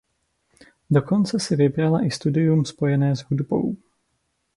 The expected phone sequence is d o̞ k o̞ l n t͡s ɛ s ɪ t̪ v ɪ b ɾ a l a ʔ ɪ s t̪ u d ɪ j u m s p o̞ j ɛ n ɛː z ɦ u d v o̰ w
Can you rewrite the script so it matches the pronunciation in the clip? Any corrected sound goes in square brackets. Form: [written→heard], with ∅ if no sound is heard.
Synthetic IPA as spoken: d o̞ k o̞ [l→∅] n t͡s ɛ s ɪ [t̪→∅] v ɪ b ɾ a l a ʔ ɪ s t̪ u d ɪ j u m s p o̞ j ɛ n ɛː z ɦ u d [v→b] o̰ w